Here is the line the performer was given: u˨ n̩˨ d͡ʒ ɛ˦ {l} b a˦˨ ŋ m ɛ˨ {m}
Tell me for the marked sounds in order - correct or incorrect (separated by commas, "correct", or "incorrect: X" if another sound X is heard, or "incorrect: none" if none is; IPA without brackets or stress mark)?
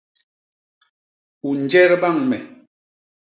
incorrect: ɾ, incorrect: none